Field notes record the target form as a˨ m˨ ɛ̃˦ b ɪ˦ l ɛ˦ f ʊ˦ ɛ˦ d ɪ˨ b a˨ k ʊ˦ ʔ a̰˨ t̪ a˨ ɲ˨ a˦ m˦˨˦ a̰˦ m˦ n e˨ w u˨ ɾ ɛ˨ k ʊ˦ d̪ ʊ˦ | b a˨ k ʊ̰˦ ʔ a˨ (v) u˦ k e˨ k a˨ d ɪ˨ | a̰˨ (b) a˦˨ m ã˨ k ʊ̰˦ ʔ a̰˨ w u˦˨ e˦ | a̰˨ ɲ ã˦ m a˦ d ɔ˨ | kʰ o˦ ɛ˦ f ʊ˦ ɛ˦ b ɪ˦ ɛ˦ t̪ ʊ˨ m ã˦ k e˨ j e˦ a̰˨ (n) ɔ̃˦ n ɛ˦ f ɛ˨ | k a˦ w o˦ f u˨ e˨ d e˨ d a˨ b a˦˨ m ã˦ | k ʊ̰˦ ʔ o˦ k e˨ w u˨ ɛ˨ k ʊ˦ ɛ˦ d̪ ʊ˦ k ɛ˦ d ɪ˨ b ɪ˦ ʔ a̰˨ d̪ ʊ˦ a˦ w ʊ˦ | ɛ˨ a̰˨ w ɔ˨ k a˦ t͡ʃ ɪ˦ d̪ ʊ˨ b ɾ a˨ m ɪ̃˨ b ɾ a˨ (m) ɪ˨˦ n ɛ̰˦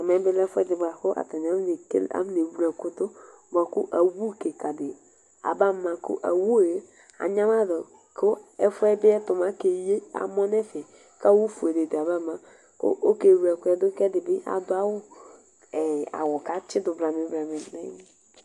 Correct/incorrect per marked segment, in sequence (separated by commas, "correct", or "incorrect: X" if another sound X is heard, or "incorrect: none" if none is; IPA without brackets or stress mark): incorrect: w, correct, incorrect: m, correct